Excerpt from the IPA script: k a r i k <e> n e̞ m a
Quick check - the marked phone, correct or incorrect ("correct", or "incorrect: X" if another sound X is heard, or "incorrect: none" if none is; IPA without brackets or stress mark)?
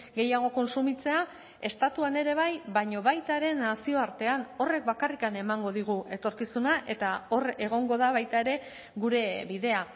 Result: incorrect: a